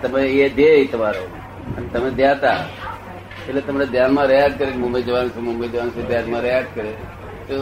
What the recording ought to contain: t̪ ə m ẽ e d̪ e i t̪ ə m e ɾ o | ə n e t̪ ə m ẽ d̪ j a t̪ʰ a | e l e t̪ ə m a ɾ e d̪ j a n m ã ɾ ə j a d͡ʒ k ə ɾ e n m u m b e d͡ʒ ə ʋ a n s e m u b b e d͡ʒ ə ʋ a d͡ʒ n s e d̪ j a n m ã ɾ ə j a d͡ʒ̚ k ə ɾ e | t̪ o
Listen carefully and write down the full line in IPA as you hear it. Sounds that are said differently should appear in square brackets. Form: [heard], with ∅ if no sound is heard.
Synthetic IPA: t̪ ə m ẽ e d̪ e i t̪ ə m [a] ɾ o | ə n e t̪ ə m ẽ d̪ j a [t̪] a | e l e t̪ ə m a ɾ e d̪ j a n m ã ɾ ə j a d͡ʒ k ə ɾ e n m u m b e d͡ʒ ə ʋ a n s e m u [m] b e d͡ʒ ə ʋ a [∅] n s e d̪ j a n m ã ɾ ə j a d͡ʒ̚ k ə ɾ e | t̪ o